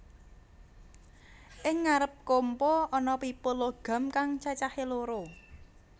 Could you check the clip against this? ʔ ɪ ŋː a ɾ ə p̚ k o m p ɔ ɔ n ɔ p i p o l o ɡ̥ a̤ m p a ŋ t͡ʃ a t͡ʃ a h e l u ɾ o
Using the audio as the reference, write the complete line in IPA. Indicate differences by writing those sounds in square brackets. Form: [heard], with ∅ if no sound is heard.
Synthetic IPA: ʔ ɪ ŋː a ɾ ə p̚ k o m p ɔ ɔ n ɔ p i p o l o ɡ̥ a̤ m [k] a ŋ t͡ʃ a t͡ʃ a h e l [o] ɾ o